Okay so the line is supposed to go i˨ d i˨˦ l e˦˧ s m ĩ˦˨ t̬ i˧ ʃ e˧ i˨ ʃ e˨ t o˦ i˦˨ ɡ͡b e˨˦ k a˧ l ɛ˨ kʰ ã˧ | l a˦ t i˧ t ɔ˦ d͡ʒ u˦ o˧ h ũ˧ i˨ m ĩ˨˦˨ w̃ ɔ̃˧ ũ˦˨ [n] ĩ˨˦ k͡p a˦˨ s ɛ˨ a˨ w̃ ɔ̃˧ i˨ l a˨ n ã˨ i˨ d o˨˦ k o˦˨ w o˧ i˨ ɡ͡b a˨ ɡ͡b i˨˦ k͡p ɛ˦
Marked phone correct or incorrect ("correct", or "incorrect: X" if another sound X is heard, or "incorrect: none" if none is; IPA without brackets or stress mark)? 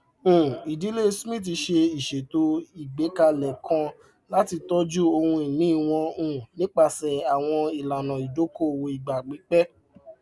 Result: correct